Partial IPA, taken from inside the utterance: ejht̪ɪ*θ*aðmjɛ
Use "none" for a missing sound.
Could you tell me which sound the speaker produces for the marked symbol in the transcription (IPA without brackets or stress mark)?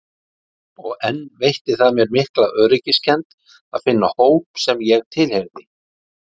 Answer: θ